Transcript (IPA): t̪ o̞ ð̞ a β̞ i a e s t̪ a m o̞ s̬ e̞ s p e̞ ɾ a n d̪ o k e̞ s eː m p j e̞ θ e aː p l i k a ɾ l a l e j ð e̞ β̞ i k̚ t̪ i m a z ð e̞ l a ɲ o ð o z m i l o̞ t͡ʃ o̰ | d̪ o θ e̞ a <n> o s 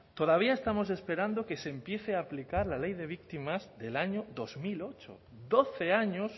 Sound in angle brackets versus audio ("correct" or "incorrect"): incorrect